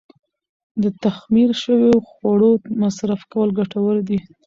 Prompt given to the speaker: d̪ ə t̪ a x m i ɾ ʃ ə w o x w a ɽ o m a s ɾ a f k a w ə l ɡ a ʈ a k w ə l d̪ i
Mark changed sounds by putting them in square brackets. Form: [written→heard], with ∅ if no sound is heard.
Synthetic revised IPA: d̪ ə t̪ a x m i ɾ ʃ ə w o x w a ɽ o m a s ɾ a f k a w ə l ɡ a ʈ a [k→∅] w ə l d̪ i